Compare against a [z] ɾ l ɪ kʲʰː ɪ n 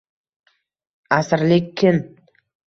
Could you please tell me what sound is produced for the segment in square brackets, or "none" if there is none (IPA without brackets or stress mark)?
s